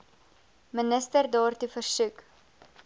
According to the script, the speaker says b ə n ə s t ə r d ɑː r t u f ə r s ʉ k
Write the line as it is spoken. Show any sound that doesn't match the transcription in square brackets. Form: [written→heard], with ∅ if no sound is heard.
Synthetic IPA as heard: [b→m] ə n ə s t ə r d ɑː r t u f ə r s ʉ k